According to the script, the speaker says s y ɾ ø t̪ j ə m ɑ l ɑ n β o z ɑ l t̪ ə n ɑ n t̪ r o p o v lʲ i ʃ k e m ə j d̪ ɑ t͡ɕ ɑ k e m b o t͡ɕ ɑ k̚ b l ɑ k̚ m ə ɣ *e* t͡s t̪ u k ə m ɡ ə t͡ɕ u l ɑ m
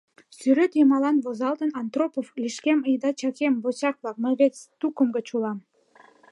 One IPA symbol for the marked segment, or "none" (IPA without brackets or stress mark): e